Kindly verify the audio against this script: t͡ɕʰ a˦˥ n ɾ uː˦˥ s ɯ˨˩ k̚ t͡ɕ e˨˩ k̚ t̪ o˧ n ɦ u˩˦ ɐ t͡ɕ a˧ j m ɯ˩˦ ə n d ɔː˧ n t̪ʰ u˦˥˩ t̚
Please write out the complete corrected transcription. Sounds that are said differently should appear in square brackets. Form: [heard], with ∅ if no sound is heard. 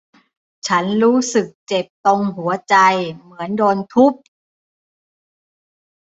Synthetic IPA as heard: t͡ɕʰ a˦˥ n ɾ uː˦˥ s ɯ˨˩ k̚ t͡ɕ e˨˩ [p̚] t̪ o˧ [ŋ] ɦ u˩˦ ɐ t͡ɕ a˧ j m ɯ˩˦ ə n d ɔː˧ n t̪ʰ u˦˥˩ [p̚]